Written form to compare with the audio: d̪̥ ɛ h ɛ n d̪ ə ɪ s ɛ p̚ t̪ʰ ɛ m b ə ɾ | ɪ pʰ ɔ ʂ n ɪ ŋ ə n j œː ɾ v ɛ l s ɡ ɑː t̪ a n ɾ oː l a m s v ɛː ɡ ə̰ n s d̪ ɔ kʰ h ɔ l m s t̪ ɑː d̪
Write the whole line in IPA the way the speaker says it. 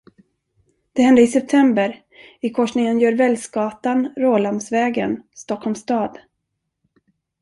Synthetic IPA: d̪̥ ɛ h ɛ n d̪ ə ɪ s ɛ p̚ t̪ʰ ɛ m b ə ɾ | ɪ kʰ ɔ ʂ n ɪ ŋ ə n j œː ɾ v ɛ l s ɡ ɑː t̪ a n ɾ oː l a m s v ɛː ɡ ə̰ n s t̪ ɔ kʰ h ɔ l m s t̪ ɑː d̪